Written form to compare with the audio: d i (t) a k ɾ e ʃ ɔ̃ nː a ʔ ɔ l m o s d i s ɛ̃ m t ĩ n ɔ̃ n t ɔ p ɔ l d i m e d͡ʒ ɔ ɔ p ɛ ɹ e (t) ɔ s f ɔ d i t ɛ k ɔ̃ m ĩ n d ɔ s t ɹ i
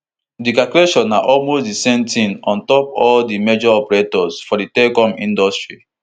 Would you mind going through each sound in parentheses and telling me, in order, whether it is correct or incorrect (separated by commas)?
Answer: incorrect, correct